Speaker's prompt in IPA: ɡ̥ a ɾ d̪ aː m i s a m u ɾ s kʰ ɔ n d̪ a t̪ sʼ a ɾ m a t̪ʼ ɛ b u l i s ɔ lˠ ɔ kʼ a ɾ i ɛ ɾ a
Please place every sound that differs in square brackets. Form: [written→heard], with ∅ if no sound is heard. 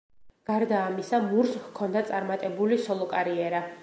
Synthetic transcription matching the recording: ɡ̥ a ɾ d̪ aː m i s a m u ɾ s kʰ ɔ n d̪ a t̪ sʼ a ɾ m a t̪ʼ ɛ b u l i s ɔ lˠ ɔ kʼ a ɾ i ɛ ɾ a